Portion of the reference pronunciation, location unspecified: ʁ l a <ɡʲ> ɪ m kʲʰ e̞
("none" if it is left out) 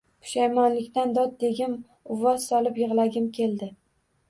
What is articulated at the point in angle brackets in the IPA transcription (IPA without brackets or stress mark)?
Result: ɡʲ